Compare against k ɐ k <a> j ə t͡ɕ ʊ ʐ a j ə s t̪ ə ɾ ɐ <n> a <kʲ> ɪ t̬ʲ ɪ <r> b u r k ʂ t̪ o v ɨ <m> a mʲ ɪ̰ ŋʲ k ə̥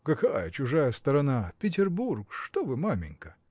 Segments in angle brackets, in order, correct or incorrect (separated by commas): correct, correct, incorrect, correct, correct